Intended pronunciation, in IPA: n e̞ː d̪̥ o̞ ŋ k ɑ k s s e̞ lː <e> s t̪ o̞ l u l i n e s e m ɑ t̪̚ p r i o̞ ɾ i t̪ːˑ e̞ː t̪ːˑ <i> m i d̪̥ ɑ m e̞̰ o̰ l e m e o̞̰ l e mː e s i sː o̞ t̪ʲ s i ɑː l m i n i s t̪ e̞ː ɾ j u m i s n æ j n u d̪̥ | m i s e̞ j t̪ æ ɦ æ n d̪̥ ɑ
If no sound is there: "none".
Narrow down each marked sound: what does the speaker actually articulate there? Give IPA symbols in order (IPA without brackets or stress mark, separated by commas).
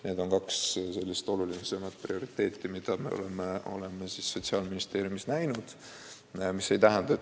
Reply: i, i